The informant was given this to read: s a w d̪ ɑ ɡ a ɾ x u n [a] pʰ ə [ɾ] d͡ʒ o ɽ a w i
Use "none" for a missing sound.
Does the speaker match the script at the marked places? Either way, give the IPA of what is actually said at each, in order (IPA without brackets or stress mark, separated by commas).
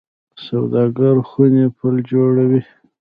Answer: e, l